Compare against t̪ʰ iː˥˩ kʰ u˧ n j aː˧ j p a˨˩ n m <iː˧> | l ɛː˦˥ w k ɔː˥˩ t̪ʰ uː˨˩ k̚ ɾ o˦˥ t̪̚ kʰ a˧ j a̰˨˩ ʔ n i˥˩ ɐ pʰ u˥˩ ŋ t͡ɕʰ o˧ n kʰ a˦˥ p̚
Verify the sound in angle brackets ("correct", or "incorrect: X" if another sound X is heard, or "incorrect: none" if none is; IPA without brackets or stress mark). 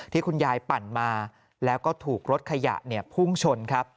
incorrect: aː˧